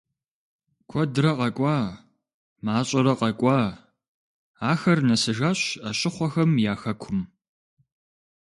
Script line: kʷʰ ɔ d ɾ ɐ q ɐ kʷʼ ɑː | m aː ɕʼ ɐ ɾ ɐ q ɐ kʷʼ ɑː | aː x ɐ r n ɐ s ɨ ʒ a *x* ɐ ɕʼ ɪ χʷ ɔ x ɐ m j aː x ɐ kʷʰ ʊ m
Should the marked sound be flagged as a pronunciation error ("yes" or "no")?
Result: yes